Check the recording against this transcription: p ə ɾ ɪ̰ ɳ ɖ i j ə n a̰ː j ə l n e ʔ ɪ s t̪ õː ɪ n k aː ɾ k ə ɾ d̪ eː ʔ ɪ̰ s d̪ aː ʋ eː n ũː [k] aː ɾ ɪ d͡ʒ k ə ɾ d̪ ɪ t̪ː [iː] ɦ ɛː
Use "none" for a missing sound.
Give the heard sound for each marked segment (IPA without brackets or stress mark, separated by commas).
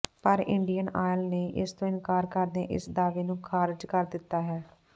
kʰ, aː